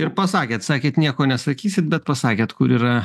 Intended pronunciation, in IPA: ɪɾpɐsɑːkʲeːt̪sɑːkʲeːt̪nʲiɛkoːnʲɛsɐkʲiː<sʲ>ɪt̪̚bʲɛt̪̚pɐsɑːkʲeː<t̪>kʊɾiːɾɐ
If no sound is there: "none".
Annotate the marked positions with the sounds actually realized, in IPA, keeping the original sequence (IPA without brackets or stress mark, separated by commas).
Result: sʲ, t̪